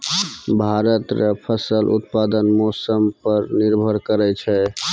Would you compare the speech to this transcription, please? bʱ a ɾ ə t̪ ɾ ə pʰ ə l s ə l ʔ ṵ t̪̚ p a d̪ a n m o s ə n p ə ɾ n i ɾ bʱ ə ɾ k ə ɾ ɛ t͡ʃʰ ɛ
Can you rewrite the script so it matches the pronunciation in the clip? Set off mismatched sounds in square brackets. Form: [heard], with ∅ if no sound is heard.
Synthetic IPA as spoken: bʱ a ɾ ə t̪ ɾ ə pʰ ə [∅] s ə l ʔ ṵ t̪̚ p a d̪ [ə] n m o s ə [m] p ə ɾ n i ɾ bʱ ə ɾ k ə ɾ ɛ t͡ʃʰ ɛ